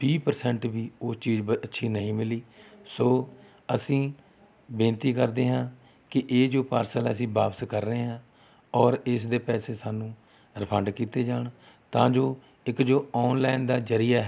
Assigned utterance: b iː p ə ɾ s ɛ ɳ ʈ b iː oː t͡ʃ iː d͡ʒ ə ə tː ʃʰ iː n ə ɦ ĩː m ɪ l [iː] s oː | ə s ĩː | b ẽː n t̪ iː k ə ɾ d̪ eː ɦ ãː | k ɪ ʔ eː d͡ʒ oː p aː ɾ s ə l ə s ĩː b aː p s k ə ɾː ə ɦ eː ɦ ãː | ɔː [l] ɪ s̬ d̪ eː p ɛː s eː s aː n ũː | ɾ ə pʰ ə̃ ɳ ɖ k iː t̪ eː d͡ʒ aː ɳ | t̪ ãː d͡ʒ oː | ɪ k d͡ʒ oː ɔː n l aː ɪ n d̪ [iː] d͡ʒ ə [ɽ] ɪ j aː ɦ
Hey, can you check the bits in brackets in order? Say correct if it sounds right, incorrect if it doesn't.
correct, incorrect: ɾ, incorrect: aː, incorrect: ɾ

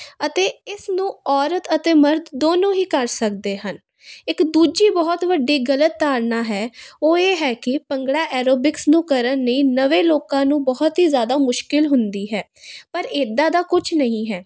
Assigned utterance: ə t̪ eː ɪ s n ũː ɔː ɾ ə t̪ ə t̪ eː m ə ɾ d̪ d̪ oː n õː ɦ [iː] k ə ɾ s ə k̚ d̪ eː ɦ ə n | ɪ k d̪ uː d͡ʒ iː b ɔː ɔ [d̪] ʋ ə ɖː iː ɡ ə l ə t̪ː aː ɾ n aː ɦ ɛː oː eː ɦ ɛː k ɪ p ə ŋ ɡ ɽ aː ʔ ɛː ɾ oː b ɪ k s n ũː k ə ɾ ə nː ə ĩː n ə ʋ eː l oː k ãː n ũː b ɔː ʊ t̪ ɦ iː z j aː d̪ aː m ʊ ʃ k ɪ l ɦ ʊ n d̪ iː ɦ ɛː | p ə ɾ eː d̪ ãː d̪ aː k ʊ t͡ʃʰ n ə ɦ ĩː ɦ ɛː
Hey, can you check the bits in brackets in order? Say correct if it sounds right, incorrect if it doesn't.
correct, incorrect: t̪

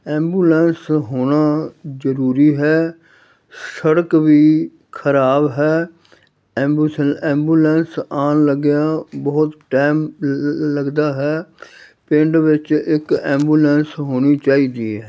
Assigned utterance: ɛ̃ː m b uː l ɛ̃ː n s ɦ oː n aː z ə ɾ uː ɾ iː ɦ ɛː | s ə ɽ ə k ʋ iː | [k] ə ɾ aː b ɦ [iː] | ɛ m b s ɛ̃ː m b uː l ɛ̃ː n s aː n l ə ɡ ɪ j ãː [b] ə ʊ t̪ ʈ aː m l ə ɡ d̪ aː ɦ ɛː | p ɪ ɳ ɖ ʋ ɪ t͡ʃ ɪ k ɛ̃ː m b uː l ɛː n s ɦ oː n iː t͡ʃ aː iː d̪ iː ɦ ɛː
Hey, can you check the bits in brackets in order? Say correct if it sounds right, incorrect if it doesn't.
incorrect: kʰ, incorrect: ɛː, correct

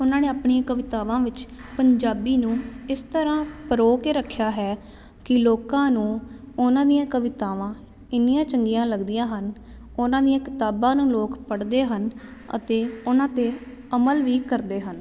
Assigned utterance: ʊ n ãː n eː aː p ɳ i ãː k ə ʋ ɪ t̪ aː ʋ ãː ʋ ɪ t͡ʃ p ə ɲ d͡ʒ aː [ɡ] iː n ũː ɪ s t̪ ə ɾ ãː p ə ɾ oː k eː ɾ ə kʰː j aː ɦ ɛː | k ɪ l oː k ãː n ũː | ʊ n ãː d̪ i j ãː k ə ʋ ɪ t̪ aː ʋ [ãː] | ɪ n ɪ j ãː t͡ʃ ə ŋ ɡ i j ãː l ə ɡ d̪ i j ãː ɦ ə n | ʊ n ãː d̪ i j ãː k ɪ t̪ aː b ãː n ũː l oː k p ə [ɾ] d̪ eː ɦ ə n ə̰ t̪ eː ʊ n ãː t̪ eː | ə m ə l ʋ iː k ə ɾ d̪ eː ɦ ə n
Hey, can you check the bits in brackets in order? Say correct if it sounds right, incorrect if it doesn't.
incorrect: b, correct, incorrect: ɽ

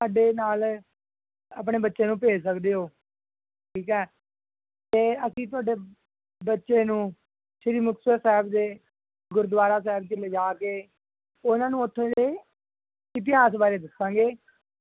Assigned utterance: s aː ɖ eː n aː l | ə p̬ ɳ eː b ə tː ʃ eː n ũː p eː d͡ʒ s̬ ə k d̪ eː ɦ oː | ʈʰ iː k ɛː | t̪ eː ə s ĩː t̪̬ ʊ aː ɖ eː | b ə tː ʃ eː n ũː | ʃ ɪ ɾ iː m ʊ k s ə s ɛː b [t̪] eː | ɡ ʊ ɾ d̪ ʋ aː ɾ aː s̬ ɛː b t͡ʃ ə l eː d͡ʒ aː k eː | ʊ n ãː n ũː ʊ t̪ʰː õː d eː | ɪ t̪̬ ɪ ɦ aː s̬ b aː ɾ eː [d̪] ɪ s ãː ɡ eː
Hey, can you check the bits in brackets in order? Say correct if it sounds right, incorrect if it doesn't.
incorrect: d̪, correct

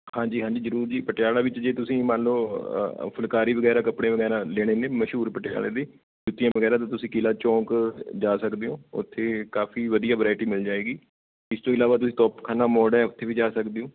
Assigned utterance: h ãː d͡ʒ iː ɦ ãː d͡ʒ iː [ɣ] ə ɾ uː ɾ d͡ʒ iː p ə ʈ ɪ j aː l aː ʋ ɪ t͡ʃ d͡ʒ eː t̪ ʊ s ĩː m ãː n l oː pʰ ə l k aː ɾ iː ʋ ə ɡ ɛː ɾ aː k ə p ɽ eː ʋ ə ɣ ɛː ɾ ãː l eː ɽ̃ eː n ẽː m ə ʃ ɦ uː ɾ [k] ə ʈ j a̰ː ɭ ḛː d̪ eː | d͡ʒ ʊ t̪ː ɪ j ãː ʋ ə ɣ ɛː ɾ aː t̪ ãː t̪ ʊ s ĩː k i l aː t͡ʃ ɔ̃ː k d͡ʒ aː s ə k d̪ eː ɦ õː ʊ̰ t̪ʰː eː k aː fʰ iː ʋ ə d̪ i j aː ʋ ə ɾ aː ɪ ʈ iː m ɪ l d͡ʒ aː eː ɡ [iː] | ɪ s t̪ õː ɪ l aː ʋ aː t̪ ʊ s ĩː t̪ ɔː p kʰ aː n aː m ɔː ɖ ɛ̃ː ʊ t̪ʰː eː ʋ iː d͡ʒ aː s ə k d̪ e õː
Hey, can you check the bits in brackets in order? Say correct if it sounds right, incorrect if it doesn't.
incorrect: z, incorrect: p, correct

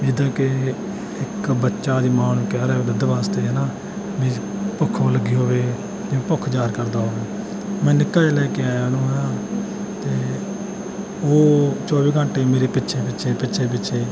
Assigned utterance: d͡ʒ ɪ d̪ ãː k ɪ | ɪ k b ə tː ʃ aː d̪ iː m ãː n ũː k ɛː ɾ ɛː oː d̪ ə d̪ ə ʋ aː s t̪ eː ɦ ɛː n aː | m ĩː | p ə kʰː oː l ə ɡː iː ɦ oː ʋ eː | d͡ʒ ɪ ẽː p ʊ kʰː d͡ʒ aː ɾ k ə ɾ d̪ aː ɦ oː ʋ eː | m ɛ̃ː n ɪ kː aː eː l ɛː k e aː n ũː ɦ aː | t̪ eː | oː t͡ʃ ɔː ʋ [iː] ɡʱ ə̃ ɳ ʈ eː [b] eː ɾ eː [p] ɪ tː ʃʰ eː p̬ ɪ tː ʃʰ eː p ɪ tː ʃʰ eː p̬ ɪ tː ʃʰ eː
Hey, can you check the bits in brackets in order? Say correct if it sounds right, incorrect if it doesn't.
correct, incorrect: m, correct

